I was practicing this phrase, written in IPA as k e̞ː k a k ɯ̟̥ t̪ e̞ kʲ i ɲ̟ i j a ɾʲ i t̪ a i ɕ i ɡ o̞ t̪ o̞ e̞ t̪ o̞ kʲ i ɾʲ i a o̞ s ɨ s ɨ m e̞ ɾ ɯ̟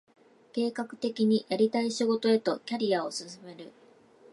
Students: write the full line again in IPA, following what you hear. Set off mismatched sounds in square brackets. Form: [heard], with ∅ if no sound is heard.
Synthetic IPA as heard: k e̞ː k a k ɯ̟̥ t̪ e̞ kʲ i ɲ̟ i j a ɾʲ i t̪ a i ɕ i ɡ o̞ t̪ o̞ e̞ t̪ o̞ kʲ [a] ɾʲ i a o̞ s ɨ s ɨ m e̞ ɾ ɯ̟

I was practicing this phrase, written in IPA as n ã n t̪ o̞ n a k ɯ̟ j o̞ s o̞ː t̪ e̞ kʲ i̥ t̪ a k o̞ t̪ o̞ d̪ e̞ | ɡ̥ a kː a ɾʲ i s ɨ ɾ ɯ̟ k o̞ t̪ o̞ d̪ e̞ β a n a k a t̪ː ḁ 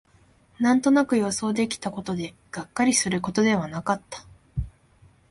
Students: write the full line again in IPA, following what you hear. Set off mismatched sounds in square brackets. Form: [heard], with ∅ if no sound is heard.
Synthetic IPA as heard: n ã n t̪ o̞ n a k ɯ̟ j o̞ s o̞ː [d̪] e̞ kʲ i̥ t̪ a k o̞ t̪ o̞ d̪ e̞ | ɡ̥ a kː a ɾʲ i s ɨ ɾ ɯ̟ k o̞ t̪ o̞ d̪ e̞ β a n a k a t̪ː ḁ

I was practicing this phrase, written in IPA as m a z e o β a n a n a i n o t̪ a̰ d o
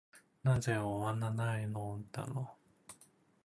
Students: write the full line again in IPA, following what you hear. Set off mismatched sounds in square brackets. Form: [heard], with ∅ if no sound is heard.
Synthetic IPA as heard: [n] a z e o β a n a n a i n o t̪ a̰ [n] o

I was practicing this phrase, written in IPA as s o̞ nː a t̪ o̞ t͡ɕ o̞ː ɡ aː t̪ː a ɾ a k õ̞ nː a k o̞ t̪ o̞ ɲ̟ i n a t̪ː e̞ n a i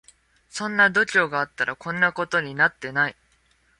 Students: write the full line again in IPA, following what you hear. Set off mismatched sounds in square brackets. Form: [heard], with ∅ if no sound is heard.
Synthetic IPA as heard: s [õ̞] nː a [d̪] o̞ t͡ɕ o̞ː ɡ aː t̪ː a ɾ a k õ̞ nː a k o̞ t̪ o̞ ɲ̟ i n a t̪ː e̞ n a i

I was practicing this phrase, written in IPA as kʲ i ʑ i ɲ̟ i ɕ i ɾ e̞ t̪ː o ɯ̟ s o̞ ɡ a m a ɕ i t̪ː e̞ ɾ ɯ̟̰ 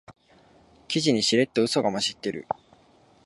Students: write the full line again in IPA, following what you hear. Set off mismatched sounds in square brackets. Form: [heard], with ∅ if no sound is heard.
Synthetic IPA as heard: kʲ i ʑ i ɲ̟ i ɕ i ɾ e̞ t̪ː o ɯ̟ s o̞ ɡ a m a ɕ i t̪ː e̞ ɾ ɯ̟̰

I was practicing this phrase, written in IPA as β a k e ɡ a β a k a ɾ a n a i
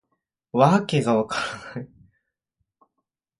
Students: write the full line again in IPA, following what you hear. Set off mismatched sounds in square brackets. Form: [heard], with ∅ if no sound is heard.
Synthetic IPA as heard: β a k e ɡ a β a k a ɾ a n a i

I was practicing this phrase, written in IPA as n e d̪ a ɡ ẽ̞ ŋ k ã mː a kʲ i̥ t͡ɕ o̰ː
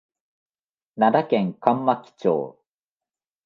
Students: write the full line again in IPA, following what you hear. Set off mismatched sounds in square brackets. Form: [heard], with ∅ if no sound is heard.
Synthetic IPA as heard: n [a] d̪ a [k] ẽ̞ ŋ k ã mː a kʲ i̥ t͡ɕ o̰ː

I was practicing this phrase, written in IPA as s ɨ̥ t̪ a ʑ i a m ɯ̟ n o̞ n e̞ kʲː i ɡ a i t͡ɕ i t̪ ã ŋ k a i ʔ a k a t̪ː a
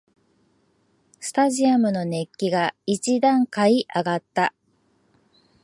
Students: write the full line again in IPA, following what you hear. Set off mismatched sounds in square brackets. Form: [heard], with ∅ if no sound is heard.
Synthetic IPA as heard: s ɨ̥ t̪ a ʑ i a m ɯ̟ n o̞ n e̞ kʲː i ɡ a i t͡ɕ i [d̪] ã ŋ k a i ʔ a [ɡ] a t̪ː a

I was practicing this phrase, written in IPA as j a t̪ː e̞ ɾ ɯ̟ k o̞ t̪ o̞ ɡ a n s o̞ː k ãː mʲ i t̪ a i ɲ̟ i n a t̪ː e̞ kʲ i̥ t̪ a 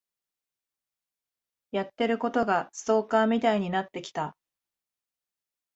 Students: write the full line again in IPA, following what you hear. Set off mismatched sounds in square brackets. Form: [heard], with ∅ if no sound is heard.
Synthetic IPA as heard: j a t̪ː e̞ ɾ ɯ̟ k o̞ t̪ o̞ ɡ a [∅] s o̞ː k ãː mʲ i t̪ a i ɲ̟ i n a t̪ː e̞ kʲ i̥ t̪ a

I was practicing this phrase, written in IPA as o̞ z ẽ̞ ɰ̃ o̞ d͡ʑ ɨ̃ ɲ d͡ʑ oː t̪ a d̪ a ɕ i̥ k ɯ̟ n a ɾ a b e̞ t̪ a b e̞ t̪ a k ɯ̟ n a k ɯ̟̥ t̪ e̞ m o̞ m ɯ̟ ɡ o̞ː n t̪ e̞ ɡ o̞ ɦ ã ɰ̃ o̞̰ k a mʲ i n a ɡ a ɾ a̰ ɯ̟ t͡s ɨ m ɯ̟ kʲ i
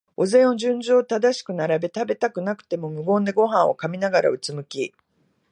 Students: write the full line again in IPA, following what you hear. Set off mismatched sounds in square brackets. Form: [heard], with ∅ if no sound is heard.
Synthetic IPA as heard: o̞ z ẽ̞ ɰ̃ o̞ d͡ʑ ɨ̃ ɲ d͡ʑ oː t̪ a d̪ a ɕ i̥ k ɯ̟ n a ɾ a b e̞ t̪ a b e̞ t̪ a k ɯ̟ n a k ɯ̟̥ t̪ e̞ m o̞ m ɯ̟ ɡ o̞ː n [d̪] e̞ ɡ o̞ ɦ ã ɰ̃ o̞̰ k a mʲ i n a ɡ a ɾ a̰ ɯ̟ t͡s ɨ m ɯ̟ kʲ i

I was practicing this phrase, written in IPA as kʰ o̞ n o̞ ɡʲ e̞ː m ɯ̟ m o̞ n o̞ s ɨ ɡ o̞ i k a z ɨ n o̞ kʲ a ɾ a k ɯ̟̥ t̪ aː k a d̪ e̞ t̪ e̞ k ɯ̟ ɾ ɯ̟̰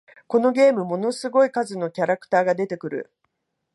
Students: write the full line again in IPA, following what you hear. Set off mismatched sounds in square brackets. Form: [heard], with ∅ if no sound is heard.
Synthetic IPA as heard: [k] o̞ n o̞ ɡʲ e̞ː m ɯ̟ m o̞ n o̞ s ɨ ɡ o̞ i k a z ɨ n o̞ kʲ a ɾ a k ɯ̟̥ t̪ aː [ɡ] a d̪ e̞ t̪ e̞ k ɯ̟ ɾ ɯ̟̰

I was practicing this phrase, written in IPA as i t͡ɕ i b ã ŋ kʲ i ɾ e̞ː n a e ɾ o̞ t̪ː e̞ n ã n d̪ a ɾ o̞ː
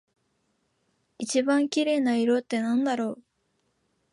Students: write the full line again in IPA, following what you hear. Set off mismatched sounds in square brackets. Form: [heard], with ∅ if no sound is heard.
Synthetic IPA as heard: i t͡ɕ i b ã ŋ kʲ i ɾ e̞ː n a [i] ɾ o̞ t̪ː e̞ n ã n d̪ a ɾ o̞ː

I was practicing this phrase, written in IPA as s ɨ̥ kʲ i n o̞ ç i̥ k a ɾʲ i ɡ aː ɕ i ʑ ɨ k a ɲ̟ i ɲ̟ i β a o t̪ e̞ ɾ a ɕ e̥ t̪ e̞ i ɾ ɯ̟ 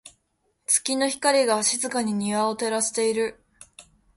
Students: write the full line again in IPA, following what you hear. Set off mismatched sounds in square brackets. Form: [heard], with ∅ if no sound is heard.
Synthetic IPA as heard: [t͡s] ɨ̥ kʲ i n o̞ ç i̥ k a ɾʲ i ɡ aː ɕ i [z] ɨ k a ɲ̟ i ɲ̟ i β a o t̪ e̞ ɾ a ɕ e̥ t̪ e̞ i ɾ ɯ̟

